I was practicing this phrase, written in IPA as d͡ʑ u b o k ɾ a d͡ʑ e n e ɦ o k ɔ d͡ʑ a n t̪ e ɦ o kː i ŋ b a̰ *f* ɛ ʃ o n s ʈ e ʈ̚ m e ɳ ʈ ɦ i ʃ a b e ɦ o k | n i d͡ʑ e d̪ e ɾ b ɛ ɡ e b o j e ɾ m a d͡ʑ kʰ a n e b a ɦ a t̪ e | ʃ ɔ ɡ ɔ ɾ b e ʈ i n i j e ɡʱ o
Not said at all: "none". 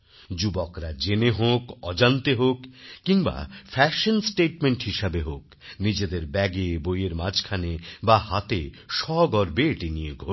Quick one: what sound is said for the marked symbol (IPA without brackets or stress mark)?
f